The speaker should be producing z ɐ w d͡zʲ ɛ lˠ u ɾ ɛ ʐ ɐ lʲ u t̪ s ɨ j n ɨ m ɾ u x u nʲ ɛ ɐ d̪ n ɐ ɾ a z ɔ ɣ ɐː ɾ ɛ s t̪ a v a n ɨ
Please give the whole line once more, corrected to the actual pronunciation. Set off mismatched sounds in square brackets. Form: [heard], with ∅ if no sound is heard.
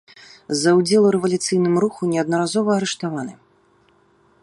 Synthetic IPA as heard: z ɐ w d͡zʲ ɛ lˠ u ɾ ɛ [v] ɐ lʲ u t̪ s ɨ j n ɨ m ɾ u x u nʲ ɛ ɐ d̪ n ɐ ɾ a z ɔ [v] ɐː ɾ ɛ [ʂ] t̪ a v a n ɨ

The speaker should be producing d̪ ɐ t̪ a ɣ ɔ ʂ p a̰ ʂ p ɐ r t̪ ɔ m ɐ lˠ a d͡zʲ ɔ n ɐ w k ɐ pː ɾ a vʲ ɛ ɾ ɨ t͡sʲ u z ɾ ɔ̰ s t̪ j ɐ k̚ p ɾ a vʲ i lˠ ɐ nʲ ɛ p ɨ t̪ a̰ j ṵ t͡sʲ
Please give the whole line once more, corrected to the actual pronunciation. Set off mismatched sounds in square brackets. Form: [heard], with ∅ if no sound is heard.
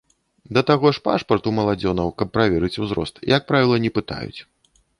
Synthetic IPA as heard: d̪ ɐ t̪ a ɣ ɔ ʂ p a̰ ʂ p ɐ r t̪ [u] m ɐ lˠ a d͡zʲ ɔ n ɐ w k ɐ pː ɾ a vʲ ɛ ɾ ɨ t͡sʲ u z ɾ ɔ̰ s t̪ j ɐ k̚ p ɾ a vʲ i lˠ ɐ nʲ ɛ p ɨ t̪ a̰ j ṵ t͡sʲ

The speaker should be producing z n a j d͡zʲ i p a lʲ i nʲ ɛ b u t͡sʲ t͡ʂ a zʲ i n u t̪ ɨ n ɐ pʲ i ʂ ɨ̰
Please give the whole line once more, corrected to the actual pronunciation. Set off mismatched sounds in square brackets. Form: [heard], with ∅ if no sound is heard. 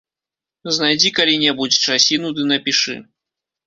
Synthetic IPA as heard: z n a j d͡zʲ i [k] a lʲ i nʲ ɛ b u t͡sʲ t͡ʂ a [sʲ] i n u [d̪] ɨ n ɐ pʲ i ʂ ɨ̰

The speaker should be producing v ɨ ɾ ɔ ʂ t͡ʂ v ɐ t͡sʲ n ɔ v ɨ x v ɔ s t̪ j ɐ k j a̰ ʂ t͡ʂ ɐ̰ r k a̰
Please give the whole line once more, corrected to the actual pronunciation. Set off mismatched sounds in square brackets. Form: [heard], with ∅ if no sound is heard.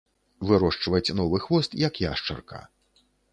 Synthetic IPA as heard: v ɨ ɾ ɔ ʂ t͡ʂ v ɐ t͡sʲ n ɔ v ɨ x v ɔ s t̪ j ɐ k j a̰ ʂ t͡ʂ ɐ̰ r k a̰

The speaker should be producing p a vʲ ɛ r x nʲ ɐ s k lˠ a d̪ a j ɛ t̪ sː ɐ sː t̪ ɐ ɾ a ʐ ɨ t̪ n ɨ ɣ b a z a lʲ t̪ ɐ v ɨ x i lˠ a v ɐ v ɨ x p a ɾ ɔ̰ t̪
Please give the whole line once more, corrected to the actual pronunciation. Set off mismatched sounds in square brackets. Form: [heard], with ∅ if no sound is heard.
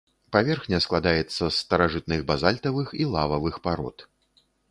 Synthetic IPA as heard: p a vʲ ɛ r x nʲ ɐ s k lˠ a d̪ a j ɛ t̪ sː ɐ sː t̪ ɐ ɾ a ʐ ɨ t̪ n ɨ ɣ b a z a lʲ t̪ ɐ v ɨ x i lˠ a v ɐ v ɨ x p a ɾ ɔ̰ t̪

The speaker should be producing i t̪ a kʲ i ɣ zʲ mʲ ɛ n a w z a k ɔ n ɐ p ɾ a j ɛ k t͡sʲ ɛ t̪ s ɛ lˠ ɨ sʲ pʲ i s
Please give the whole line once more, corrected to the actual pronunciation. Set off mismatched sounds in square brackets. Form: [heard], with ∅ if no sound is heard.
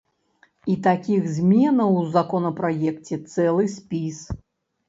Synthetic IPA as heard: i t̪ a kʲ i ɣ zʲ mʲ ɛ n [ɐ] w z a k ɔ n ɐ p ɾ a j ɛ k t͡sʲ ɛ t̪ s ɛ lˠ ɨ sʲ pʲ i s

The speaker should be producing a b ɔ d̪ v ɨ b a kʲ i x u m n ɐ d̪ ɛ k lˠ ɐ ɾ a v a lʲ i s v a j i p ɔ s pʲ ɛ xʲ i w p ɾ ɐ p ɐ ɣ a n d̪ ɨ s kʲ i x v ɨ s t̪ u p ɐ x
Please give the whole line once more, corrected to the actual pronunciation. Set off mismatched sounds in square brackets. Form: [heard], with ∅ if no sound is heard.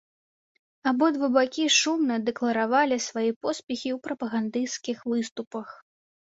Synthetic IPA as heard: a b ɔ d̪ v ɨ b a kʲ i [ʂ] u m n ɐ d̪ ɛ k lˠ ɐ ɾ a v a lʲ i s v a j i p ɔ s pʲ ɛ xʲ i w p ɾ ɐ p ɐ ɣ a n d̪ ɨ s kʲ i x v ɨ s t̪ u p ɐ x

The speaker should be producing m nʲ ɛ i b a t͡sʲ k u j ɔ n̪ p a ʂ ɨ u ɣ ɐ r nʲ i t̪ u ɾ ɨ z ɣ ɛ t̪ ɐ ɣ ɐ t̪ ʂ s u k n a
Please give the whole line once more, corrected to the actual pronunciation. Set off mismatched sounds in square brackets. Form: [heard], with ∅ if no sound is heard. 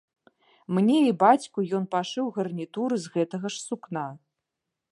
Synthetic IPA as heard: m nʲ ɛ i b a t͡sʲ k u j ɔ n̪ p a ʂ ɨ [w] ɣ ɐ r nʲ i t̪ u ɾ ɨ z ɣ ɛ t̪ ɐ ɣ ɐ [∅] ʂ s u k n a

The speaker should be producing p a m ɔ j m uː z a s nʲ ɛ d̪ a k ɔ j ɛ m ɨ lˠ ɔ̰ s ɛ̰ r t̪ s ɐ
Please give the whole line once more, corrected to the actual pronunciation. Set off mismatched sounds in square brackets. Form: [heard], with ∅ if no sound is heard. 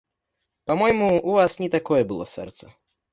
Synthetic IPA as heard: p a m ɔ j m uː [v] a s nʲ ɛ [t̪] a k ɔ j ɛ [b] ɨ lˠ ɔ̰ s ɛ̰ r t̪ s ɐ

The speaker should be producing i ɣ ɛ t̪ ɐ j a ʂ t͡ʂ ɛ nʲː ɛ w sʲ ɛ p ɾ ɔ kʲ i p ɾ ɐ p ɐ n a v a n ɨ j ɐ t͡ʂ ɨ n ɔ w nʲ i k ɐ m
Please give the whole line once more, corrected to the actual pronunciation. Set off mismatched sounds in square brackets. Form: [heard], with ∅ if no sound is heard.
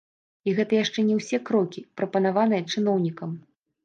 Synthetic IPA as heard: i ɣ ɛ t̪ ɐ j a ʂ t͡ʂ ɛ [nʲ] ɛ w sʲ ɛ [k] ɾ ɔ kʲ i p ɾ ɐ p ɐ n a v a n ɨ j ɐ t͡ʂ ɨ n ɔ w nʲ i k ɐ m

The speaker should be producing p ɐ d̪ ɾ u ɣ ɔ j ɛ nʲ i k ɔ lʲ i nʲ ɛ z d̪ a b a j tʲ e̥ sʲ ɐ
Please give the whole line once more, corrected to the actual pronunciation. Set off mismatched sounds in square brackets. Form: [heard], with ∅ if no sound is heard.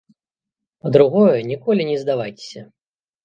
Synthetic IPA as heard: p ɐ d̪ ɾ u ɣ ɔ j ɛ nʲ i k ɔ lʲ i nʲ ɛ z d̪ a [v] a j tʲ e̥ sʲ ɐ

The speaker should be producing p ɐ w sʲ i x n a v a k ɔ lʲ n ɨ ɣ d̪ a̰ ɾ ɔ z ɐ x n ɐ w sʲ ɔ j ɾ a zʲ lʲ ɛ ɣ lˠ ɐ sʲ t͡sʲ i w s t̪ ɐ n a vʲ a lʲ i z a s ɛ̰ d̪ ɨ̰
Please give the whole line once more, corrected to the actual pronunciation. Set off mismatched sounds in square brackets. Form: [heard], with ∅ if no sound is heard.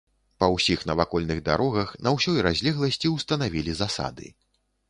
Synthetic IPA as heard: p ɐ w sʲ i x n [ɐ] v a k ɔ lʲ n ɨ ɣ d̪ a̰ ɾ ɔ [ɣ] ɐ x n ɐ w sʲ ɔ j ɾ a zʲ lʲ ɛ ɣ lˠ ɐ sʲ t͡sʲ i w s t̪ ɐ n a vʲ [i] lʲ i z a s [a̰] d̪ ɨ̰

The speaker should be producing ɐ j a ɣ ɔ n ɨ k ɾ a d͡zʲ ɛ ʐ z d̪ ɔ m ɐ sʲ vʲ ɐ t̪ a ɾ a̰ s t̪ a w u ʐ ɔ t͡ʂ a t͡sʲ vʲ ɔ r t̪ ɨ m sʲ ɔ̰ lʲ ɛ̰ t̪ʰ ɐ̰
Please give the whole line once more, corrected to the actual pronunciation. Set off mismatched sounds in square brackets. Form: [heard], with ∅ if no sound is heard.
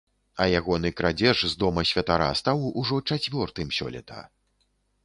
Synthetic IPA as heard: ɐ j a ɣ ɔ n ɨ k ɾ a d͡zʲ ɛ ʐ z d̪ ɔ m ɐ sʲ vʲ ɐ t̪ a ɾ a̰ s t̪ a w u ʐ ɔ t͡ʂ a t͡sʲ vʲ ɔ r t̪ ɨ m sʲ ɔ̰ lʲ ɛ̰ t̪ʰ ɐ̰

